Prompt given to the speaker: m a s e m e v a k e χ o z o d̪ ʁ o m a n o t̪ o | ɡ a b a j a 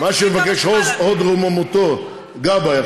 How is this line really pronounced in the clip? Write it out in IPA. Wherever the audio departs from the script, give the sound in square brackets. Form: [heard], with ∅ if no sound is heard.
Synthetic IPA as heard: m a [ʃ] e m e v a k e [ʃ] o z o d̪ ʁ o m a [m] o t̪ o | ɡ a b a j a